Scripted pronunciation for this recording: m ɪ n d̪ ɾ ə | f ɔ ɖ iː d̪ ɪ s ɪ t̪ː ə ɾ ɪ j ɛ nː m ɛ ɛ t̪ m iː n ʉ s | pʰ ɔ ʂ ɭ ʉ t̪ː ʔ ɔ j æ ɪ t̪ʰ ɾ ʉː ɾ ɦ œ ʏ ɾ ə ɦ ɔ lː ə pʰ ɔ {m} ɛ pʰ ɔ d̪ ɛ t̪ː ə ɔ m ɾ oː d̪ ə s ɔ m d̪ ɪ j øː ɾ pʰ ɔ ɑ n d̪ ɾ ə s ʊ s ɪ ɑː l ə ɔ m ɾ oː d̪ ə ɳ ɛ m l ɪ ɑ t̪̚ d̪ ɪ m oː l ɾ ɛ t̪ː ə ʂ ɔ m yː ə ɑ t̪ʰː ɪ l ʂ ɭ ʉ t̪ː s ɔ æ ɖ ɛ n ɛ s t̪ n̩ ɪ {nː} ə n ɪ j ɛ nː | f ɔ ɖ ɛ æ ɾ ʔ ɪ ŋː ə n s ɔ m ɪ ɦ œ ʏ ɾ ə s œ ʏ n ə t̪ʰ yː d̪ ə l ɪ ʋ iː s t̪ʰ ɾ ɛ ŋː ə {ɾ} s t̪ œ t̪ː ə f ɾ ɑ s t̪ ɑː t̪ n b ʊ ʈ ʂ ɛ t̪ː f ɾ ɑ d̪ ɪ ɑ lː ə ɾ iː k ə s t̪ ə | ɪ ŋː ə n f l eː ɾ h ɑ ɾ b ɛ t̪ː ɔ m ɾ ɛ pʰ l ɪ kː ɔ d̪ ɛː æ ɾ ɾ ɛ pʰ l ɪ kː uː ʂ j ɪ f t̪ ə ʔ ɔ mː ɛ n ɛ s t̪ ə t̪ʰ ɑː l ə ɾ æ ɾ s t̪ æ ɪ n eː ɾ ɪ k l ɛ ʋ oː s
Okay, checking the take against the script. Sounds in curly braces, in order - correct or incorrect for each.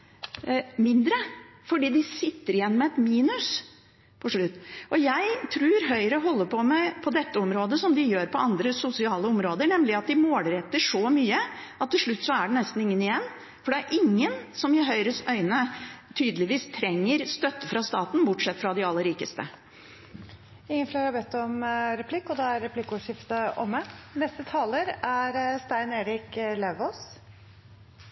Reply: correct, incorrect, correct

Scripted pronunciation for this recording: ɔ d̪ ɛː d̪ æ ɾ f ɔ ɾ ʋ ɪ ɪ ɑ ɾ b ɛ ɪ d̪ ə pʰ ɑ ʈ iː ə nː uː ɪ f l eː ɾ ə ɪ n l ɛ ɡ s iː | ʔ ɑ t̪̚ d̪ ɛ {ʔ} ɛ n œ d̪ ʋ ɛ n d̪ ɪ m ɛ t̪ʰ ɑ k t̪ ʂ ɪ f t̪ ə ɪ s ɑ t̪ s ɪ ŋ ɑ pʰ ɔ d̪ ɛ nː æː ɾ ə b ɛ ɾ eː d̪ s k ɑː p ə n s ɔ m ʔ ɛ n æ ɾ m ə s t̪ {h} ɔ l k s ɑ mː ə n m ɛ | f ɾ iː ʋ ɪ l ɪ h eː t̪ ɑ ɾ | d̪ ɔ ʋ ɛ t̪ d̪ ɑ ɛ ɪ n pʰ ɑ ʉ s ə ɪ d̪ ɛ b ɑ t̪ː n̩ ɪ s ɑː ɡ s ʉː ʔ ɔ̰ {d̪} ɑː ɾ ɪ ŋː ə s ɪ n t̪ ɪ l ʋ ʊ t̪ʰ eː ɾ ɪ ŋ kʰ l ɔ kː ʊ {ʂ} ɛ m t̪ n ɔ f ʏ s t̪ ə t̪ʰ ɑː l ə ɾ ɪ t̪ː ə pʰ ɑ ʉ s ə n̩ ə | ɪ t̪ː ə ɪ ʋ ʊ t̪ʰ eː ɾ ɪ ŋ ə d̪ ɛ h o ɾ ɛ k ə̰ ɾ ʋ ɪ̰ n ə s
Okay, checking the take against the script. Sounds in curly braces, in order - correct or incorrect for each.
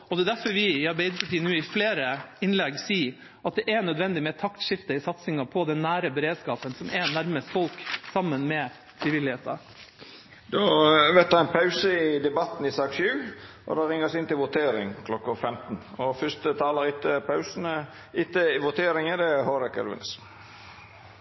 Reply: correct, incorrect, correct, incorrect

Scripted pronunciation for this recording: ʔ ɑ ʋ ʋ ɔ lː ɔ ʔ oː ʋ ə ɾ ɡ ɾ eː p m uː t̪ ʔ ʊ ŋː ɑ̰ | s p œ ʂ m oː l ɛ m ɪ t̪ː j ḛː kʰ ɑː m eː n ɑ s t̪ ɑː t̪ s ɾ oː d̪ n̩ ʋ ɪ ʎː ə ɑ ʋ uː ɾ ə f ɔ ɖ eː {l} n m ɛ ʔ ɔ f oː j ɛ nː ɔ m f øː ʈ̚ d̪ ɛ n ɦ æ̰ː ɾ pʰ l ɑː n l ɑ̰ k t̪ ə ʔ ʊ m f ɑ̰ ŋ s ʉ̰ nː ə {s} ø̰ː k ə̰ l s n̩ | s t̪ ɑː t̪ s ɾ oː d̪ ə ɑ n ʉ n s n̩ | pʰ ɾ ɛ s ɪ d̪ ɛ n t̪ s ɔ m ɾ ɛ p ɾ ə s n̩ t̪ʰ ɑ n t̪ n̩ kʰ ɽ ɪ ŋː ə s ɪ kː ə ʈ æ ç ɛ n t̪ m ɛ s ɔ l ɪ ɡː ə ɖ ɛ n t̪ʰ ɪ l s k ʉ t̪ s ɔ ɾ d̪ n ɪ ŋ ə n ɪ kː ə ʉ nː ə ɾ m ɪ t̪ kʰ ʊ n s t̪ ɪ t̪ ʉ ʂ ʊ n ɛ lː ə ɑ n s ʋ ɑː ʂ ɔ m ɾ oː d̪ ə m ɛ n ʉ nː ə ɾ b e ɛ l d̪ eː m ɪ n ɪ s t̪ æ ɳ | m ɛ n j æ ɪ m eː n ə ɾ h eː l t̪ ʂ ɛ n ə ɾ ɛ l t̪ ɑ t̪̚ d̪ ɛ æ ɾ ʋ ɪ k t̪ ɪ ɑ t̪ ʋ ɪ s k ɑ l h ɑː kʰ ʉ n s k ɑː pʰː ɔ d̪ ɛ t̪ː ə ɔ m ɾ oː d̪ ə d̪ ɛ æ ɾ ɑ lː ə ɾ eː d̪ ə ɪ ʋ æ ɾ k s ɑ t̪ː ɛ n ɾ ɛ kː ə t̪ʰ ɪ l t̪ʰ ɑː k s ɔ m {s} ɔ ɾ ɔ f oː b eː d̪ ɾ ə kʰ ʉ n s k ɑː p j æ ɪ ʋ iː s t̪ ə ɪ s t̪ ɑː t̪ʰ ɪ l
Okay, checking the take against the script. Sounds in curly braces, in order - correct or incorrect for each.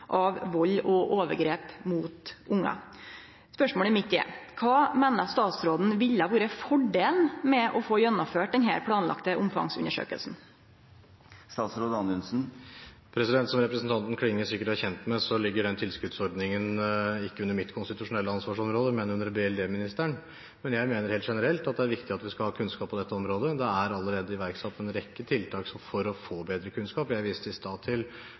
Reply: correct, incorrect, incorrect

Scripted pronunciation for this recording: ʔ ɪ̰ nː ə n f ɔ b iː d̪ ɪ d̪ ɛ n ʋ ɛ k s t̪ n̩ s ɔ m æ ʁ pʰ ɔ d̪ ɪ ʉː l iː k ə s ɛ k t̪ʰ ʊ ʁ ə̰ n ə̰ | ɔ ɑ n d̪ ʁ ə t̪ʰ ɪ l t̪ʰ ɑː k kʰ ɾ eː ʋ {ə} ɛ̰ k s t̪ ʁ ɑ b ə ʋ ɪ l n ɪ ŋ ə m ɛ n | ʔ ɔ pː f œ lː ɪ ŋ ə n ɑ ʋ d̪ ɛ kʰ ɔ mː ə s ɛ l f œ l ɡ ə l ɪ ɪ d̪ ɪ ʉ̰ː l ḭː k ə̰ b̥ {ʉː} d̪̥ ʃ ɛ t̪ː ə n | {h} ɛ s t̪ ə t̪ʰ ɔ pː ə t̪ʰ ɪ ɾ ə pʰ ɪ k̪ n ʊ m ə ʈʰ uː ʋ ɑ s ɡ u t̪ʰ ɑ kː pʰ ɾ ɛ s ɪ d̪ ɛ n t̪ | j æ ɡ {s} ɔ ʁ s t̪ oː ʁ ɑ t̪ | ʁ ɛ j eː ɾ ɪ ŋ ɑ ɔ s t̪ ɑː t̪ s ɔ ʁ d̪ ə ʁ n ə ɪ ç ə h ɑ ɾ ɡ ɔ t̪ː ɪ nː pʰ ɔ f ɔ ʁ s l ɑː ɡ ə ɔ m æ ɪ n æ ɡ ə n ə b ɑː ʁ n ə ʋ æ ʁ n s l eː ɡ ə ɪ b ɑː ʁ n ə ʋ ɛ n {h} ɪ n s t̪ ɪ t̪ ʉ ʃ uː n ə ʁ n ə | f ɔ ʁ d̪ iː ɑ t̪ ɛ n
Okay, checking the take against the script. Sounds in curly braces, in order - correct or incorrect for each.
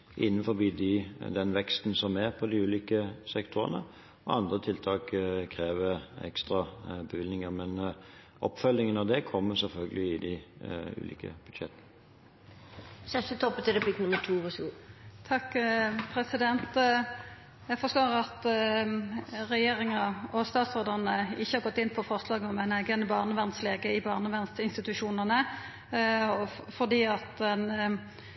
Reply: correct, incorrect, incorrect, incorrect, incorrect

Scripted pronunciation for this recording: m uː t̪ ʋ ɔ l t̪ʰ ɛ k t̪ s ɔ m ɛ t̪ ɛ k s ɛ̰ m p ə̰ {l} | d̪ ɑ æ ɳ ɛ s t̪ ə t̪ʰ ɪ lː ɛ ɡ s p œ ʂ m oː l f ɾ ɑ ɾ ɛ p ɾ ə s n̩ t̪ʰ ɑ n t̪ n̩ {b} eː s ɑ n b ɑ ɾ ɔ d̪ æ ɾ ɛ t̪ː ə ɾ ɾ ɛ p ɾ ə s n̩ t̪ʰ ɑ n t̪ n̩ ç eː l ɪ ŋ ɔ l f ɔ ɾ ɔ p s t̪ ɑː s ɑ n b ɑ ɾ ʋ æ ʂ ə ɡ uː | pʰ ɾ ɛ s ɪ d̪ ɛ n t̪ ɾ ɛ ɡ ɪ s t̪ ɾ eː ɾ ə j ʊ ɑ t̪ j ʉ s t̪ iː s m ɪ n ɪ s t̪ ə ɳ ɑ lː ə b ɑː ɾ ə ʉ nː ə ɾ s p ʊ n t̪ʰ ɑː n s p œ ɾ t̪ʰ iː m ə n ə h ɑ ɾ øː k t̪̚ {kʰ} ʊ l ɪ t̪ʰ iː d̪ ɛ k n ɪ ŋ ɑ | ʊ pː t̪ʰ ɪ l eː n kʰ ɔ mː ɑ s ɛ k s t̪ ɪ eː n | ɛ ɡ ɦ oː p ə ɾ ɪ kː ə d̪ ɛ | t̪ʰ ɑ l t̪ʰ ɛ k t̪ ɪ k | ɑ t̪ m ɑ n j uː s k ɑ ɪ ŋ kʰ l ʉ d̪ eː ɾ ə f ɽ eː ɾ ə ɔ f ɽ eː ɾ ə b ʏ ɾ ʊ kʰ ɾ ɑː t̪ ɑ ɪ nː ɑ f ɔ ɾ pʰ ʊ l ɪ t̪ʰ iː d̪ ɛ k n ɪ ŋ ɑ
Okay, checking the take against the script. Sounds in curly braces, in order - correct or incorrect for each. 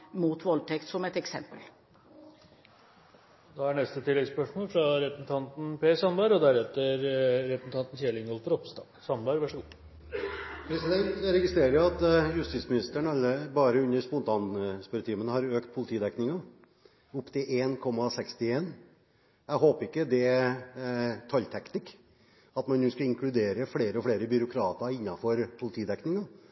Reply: correct, incorrect, incorrect

